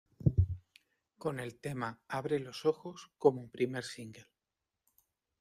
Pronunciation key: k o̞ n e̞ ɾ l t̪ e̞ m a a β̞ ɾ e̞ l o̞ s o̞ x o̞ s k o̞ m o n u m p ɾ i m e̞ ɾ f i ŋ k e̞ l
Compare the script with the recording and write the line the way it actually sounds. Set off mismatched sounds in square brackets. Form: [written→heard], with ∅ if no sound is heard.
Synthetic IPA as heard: k o̞ n e̞ [ɾ→∅] l t̪ e̞ m a a β̞ ɾ e̞ l o̞ s o̞ x o̞ s k o̞ m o [n→∅] u m p ɾ i m e̞ ɾ [f→s] i ŋ [k→ɡ] e̞ l

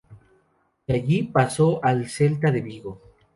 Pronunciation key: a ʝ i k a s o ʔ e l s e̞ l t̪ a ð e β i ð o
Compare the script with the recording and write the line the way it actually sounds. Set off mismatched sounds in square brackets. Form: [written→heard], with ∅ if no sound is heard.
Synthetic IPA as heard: a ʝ i [k→p] a s o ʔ [e→a] l s e̞ l t̪ a ð e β i [ð→ɣ] o

